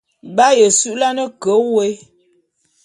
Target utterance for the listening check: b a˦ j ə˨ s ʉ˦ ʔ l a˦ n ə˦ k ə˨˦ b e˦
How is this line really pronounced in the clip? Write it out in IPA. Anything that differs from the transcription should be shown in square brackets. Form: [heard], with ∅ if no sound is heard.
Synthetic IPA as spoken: b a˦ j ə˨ s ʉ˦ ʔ l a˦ n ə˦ k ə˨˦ [w] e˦